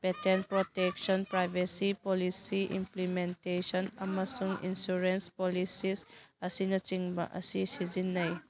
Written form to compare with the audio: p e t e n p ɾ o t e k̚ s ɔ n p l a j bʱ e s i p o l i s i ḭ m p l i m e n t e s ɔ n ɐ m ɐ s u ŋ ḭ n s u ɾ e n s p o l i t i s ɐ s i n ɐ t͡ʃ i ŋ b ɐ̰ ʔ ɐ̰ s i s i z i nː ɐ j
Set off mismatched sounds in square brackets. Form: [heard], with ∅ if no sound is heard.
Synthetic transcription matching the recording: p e t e n p ɾ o t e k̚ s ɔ n p [ɾ] a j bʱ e s i p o l i s i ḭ m p l i m e n t e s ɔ n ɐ m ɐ s u ŋ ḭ n s u ɾ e n s p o l i [s] i s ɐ s i n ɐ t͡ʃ i ŋ b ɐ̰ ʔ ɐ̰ s i s i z i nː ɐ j